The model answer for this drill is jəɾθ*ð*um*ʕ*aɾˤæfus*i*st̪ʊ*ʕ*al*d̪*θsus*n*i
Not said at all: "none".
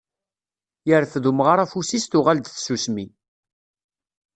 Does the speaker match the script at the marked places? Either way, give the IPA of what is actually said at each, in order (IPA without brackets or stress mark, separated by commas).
ð, ʁ, i, ʁ, d̪, m